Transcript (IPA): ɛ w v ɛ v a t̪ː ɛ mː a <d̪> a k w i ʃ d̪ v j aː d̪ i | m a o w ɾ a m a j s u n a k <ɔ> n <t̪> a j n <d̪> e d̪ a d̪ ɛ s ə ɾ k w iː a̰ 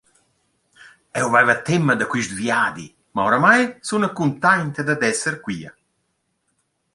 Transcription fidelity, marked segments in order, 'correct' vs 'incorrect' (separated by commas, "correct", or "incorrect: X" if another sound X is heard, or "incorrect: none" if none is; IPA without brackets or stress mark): correct, incorrect: u, correct, incorrect: t̪